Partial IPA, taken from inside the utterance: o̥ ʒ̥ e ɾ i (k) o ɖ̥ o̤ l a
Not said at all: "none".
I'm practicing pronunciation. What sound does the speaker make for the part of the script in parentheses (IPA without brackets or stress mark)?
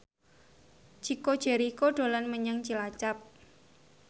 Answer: k